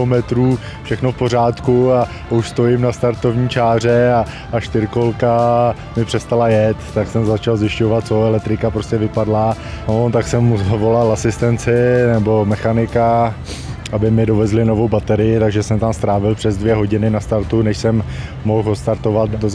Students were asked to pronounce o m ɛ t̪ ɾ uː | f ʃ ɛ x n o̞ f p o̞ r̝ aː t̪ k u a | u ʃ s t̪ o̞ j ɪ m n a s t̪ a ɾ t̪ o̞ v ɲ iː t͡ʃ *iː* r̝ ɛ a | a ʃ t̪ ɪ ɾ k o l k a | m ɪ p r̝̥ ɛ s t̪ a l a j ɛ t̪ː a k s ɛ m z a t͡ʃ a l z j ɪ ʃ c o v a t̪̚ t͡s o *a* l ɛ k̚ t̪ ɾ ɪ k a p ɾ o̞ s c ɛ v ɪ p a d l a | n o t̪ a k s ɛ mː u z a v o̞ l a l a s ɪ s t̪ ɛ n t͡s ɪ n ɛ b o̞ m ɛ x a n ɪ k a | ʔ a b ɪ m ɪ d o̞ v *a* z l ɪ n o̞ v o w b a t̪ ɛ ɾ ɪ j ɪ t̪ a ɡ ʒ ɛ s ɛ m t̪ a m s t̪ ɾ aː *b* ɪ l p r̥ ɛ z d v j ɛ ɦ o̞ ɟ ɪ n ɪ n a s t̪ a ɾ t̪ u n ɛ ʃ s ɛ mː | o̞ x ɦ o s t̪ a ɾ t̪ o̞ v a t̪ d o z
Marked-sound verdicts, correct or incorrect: incorrect: aː, incorrect: ɛ, incorrect: ɛ, incorrect: v

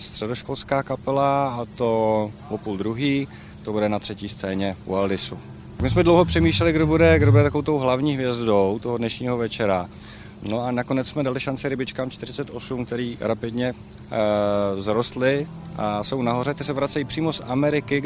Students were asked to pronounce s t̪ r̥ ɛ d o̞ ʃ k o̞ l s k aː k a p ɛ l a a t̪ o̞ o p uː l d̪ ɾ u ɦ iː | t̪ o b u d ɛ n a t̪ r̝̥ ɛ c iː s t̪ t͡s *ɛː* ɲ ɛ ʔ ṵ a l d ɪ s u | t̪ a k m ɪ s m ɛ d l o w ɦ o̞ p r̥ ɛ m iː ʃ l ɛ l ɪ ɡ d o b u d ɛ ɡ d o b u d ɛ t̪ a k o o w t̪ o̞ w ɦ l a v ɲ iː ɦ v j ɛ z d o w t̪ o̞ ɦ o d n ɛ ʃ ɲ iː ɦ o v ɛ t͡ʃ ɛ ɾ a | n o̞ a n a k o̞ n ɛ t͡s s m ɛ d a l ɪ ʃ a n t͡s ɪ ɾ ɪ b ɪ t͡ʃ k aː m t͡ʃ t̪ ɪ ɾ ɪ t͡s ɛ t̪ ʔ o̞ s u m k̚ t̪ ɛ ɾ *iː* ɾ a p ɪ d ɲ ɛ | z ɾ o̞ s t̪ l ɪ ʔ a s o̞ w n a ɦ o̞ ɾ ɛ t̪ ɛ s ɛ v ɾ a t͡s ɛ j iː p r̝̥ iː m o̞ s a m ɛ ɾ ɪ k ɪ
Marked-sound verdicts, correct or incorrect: correct, correct

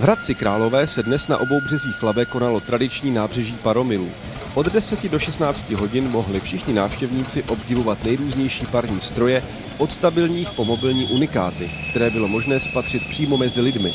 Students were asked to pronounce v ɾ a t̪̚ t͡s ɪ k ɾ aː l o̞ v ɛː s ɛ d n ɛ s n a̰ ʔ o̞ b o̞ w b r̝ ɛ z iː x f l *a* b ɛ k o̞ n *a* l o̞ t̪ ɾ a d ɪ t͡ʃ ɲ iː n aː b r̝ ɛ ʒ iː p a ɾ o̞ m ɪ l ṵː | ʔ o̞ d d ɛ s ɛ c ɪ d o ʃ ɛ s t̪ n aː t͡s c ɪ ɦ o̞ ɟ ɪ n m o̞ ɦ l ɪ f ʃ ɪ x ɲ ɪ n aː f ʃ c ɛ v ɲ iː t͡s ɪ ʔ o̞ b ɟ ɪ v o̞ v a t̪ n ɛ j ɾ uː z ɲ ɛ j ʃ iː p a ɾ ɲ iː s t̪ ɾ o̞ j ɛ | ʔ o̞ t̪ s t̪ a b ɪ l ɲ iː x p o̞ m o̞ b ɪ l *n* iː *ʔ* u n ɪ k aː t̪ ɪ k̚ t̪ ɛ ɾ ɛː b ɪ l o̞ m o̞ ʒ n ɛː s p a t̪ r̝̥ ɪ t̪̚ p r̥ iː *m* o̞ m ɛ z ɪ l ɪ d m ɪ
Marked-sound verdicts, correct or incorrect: correct, correct, incorrect: ɲ, correct, correct

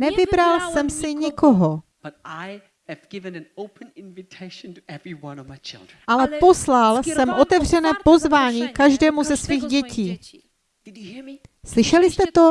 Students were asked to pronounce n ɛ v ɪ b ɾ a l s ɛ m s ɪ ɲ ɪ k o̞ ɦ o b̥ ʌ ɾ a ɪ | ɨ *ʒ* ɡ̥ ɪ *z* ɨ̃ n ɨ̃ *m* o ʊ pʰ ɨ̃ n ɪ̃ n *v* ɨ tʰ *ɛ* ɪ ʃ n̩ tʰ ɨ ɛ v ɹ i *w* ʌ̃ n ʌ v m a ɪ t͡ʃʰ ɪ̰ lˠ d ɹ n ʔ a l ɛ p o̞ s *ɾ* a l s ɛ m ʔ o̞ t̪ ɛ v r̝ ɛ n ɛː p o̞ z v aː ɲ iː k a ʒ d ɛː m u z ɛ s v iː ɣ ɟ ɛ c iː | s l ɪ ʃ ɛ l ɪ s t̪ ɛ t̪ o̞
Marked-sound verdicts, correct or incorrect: incorrect: v, incorrect: v, incorrect: n, correct, incorrect: e, correct, incorrect: l

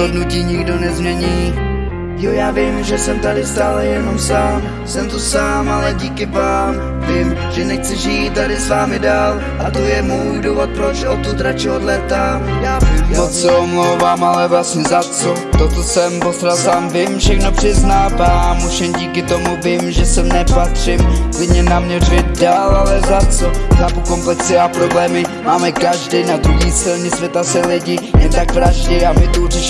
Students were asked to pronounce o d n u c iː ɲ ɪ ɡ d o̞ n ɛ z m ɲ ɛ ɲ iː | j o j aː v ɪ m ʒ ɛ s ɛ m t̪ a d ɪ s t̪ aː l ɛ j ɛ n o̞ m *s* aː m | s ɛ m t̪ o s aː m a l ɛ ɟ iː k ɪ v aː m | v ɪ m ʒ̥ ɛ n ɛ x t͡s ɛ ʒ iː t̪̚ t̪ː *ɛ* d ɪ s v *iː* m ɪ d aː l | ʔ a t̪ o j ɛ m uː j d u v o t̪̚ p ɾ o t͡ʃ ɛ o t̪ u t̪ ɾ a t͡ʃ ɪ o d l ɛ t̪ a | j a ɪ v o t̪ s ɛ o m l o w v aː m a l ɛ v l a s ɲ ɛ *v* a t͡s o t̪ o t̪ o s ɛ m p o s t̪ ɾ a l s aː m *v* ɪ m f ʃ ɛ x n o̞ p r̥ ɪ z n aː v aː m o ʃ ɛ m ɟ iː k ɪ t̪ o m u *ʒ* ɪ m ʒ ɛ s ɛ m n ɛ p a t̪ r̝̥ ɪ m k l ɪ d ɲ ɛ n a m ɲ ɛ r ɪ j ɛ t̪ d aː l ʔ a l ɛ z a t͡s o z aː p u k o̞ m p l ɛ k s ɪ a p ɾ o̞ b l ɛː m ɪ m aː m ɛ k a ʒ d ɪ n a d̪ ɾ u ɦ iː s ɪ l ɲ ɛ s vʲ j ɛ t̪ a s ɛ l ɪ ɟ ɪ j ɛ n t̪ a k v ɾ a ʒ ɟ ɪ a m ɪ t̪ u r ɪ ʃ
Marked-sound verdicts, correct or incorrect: correct, incorrect: a, incorrect: aː, incorrect: z, correct, incorrect: v

